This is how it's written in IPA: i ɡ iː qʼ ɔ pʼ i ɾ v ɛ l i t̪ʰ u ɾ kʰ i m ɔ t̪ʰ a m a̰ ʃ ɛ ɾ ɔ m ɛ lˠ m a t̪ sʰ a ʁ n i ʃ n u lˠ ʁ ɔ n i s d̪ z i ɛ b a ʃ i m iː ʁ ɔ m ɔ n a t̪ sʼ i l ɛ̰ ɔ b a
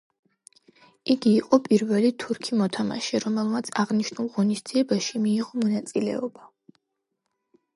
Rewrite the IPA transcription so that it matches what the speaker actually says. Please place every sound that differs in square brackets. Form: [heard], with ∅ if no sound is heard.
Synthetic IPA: i ɡ iː qʼ ɔ pʼ i ɾ v ɛ l i t̪ʰ u ɾ kʰ i m ɔ t̪ʰ a m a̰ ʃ ɛ ɾ ɔ m ɛ lˠ m a t̪ sʰ a ʁ n i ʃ n u lˠ ʁ ɔ n i s d̪ z i ɛ b a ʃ i m iː ʁ ɔ m ɔ n a t̪ sʼ i l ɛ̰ ɔ b a